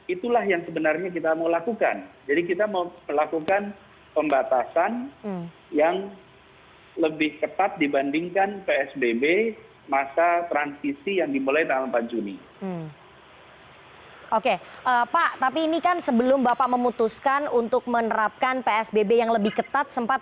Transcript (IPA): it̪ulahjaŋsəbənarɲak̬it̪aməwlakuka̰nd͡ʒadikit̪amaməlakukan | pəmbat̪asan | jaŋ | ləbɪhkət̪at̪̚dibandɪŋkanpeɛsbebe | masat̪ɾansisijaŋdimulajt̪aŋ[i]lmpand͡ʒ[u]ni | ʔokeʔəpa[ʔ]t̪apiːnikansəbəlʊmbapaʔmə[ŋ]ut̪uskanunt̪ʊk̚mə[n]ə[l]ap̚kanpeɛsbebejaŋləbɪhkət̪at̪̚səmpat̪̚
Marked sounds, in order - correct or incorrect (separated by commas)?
incorrect, correct, correct, incorrect, correct, incorrect